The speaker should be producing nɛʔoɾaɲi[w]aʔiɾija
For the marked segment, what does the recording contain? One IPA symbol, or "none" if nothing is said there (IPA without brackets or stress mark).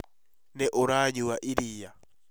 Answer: w